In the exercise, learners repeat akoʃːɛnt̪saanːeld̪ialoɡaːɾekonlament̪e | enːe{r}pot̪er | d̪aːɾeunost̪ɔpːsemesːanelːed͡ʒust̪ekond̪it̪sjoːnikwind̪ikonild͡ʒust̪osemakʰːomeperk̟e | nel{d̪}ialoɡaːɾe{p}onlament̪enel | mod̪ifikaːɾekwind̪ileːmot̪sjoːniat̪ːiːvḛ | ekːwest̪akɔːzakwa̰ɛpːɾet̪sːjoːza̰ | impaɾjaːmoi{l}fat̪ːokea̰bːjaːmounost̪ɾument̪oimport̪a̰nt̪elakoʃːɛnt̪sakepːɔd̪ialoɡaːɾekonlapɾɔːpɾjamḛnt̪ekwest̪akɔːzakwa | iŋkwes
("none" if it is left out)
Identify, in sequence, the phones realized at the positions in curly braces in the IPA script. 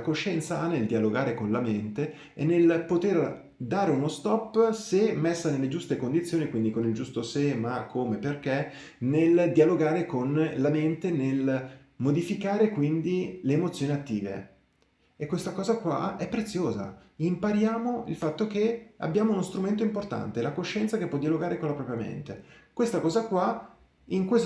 l, d̪, k, l

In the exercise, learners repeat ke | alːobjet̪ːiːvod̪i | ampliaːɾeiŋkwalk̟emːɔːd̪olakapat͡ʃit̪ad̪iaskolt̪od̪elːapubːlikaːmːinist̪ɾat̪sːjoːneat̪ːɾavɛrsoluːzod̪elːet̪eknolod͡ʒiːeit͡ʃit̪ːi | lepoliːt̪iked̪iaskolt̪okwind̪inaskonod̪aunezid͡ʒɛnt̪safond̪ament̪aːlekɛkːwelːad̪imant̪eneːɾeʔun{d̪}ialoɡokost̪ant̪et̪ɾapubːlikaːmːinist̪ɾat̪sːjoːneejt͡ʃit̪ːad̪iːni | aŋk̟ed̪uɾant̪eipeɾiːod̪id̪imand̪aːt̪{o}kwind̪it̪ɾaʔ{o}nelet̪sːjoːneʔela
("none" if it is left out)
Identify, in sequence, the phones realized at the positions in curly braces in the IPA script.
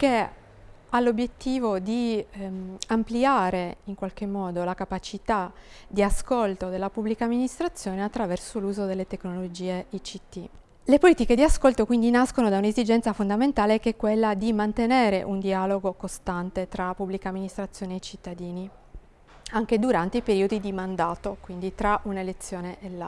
d̪, o, u

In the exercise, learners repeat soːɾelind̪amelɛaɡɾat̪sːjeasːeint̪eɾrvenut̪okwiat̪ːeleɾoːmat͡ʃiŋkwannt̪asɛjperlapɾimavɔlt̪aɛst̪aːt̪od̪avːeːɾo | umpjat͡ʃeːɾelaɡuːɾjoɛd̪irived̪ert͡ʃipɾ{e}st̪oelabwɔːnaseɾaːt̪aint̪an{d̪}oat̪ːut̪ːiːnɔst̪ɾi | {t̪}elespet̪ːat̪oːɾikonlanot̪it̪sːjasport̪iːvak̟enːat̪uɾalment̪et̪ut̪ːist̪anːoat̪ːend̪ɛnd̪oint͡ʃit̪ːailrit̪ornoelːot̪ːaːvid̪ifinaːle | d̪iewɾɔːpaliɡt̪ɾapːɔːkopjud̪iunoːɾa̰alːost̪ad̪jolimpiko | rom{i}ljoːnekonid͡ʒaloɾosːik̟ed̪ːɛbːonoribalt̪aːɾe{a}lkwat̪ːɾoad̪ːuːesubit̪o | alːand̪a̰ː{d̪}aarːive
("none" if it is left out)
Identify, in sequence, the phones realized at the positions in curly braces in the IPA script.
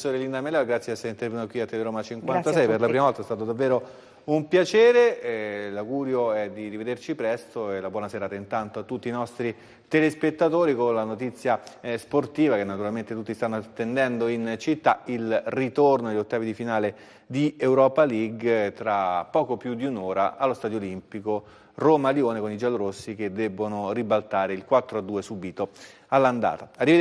ɛ, t̪, t̪, a, i, t̪

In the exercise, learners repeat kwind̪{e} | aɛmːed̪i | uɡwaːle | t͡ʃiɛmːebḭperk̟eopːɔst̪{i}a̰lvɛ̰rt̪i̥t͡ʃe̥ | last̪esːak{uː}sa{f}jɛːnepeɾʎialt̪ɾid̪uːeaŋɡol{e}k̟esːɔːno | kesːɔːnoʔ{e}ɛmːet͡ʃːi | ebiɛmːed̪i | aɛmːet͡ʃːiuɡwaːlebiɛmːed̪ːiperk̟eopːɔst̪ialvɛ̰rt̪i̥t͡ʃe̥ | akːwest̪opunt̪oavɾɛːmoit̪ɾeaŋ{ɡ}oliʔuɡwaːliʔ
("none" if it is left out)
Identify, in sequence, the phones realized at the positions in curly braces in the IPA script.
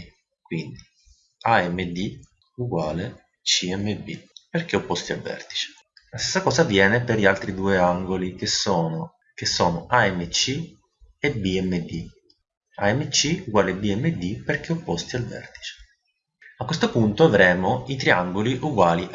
i, i, ɔː, v, i, a, ɡ

